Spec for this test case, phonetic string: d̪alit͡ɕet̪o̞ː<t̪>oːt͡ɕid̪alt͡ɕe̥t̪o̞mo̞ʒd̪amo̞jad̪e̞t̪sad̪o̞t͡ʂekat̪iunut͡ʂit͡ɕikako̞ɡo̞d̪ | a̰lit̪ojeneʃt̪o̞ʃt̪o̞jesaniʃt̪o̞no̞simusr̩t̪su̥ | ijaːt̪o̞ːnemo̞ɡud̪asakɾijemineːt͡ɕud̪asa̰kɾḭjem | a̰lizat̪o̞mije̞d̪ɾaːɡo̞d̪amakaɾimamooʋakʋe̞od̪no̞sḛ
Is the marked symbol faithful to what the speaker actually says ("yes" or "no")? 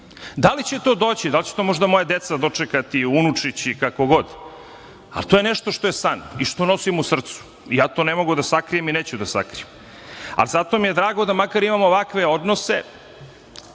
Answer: no